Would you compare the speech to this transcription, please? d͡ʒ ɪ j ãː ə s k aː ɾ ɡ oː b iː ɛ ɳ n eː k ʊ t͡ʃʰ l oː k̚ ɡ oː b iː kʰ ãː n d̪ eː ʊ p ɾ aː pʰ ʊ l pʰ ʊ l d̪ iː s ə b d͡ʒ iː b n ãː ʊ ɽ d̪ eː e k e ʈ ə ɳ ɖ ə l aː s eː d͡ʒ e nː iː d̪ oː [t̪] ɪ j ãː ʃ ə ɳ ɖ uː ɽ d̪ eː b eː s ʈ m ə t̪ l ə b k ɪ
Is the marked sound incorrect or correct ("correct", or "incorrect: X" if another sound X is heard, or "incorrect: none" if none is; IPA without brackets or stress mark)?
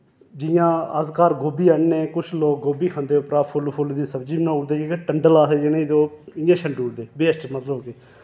incorrect: none